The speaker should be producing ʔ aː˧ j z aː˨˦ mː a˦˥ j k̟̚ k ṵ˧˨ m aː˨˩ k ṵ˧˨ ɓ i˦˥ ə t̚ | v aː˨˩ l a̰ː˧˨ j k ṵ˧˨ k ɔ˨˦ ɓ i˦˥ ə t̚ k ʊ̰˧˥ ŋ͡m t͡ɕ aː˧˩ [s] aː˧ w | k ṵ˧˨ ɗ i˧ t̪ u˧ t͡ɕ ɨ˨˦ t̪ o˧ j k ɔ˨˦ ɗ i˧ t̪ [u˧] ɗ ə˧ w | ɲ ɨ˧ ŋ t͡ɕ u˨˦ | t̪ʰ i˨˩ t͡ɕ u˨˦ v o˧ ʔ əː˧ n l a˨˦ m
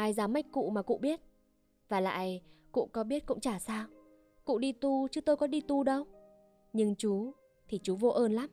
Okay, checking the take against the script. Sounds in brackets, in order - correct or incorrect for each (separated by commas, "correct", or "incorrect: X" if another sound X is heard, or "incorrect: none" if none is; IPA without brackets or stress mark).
correct, correct